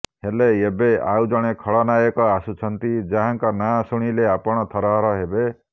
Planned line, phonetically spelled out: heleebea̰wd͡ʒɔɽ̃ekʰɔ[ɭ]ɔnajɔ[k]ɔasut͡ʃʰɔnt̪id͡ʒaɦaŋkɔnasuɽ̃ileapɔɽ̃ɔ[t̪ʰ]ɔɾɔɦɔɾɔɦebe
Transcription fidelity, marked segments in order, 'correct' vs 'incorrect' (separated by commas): correct, correct, correct